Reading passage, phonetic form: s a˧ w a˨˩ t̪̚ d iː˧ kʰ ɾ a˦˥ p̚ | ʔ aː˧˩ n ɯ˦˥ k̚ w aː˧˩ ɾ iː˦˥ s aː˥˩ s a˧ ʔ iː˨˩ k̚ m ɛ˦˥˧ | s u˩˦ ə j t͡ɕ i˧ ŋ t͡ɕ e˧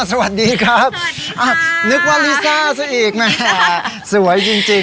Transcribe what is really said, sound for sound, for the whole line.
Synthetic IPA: s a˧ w a˨˩ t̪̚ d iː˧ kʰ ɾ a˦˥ p̚ | ʔ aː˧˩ n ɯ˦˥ k̚ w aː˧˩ l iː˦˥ s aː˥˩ s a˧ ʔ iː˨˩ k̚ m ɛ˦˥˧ | s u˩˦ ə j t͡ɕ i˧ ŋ t͡ɕ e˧